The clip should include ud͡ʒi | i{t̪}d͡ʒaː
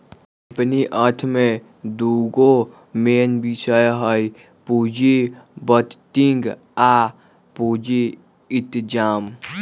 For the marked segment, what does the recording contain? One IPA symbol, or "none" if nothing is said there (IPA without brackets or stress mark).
t̪